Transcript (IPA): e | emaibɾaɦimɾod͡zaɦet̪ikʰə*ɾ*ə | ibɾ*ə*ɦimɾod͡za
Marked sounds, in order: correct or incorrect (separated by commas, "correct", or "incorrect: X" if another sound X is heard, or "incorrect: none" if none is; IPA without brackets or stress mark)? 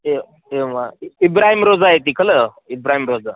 incorrect: l, incorrect: a